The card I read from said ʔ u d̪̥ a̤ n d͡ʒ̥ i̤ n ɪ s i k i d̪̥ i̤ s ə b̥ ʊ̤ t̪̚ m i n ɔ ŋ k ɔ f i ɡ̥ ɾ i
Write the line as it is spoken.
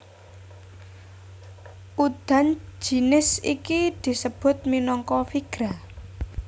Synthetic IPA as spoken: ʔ u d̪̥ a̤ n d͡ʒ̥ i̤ n ɪ s i k i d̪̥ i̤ s ə b̥ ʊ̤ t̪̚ m i n ɔ ŋ k ɔ f i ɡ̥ ɾ a